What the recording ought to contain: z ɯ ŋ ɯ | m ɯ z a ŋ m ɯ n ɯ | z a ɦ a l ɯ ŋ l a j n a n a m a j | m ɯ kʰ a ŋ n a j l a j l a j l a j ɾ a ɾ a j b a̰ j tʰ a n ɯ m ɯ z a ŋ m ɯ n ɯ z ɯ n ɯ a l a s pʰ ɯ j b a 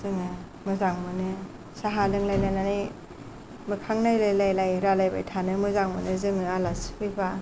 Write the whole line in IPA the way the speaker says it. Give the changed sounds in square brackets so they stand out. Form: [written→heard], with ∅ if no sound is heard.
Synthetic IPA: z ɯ ŋ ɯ | m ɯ z a ŋ m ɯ n ɯ | [z→s] a ɦ a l ɯ ŋ l a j n a n a [m→n] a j | m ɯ kʰ a ŋ n a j l a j l a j l a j ɾ a [ɾ→l] a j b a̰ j tʰ a n ɯ m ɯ z a ŋ m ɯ n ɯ z ɯ [n→ŋ] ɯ a l a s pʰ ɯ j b a